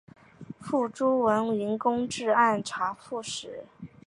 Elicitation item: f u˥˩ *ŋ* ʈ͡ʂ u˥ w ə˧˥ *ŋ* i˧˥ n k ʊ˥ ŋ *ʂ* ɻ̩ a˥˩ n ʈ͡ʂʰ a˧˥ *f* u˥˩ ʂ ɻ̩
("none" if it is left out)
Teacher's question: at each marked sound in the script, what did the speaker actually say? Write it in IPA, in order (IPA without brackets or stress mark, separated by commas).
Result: none, n, ʈ͡ʂ, f